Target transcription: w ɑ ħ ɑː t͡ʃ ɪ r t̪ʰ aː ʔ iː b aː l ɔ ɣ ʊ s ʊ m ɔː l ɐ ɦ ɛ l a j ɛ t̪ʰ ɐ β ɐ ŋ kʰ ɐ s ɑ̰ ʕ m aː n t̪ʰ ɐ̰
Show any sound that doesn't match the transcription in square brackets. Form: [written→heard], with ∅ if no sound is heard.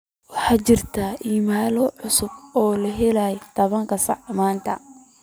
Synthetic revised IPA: w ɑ ħ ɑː t͡ʃ ɪ r t̪ʰ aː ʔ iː [b→m] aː l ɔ [ɣ→ʕ] ʊ s ʊ [m→b] ɔː l ɐ ɦ ɛ l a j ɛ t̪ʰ ɐ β ɐ ŋ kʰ ɐ s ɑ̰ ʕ m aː n t̪ʰ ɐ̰